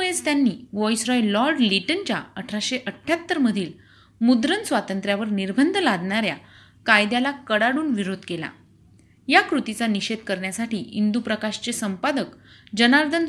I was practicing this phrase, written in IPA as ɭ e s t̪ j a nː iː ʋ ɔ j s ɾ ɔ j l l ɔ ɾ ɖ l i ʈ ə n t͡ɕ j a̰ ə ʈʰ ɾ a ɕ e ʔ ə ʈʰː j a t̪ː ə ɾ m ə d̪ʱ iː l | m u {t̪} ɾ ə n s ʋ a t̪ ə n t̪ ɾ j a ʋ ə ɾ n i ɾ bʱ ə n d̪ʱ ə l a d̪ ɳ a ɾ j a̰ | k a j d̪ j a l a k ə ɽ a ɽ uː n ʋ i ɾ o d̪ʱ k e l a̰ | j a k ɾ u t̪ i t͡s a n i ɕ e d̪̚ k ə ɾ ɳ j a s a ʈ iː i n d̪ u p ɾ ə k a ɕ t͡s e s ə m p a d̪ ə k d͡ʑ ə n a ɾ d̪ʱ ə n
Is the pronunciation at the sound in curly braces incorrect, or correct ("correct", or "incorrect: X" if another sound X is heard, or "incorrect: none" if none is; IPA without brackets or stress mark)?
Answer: incorrect: d̪